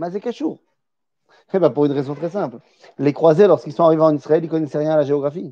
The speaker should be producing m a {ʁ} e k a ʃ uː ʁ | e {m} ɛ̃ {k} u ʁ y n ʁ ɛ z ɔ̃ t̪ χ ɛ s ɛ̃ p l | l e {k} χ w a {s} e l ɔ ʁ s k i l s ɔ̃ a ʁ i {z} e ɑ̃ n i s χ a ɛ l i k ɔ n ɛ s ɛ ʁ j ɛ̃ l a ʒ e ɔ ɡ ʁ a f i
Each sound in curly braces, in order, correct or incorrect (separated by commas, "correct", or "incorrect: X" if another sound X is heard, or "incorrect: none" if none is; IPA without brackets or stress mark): incorrect: z, incorrect: b, incorrect: p, correct, incorrect: z, incorrect: v